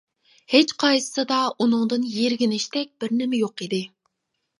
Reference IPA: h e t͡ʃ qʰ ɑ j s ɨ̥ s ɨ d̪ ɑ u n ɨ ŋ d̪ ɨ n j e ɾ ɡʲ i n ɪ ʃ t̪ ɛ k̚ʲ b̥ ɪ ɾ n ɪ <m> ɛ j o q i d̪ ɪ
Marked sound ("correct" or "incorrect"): correct